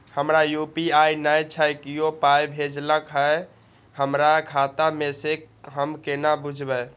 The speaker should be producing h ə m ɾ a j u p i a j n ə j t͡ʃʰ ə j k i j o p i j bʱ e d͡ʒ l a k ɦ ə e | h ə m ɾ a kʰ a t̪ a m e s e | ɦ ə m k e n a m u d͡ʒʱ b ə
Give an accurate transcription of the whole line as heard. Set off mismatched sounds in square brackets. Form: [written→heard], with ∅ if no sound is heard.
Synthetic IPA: h ə m ɾ a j u p i a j n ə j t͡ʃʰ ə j k i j o p [i→a] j bʱ e d͡ʒ l [a→ə] k ɦ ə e | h ə m ɾ a kʰ a t̪ a m e s e | ɦ ə m k e n a [m→b] u d͡ʒʱ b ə